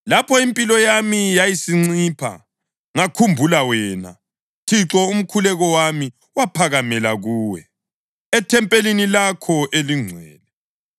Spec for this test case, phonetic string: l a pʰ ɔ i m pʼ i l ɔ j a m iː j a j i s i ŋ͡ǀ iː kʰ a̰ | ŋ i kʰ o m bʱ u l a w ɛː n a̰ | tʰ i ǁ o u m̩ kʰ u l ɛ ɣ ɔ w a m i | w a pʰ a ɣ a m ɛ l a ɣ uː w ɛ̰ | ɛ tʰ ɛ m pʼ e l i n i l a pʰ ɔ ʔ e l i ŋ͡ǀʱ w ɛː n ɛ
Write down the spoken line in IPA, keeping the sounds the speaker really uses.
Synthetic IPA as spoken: l a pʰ ɔ i m pʼ i l ɔ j a m i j a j i s i ŋ͡ǀ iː pʰ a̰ | ŋ a kʰ u m bʱ u l a w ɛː n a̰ | tʰ i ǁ ɔ u m̩ kʰ u l ɛ ɣ ɔ w a m i | w a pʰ a ɣ a m ɛ l a ɣ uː w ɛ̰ | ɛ tʰ ɛ m pʼ e l i n i l a kʰ ɔ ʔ e l i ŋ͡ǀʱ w ɛː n ɛ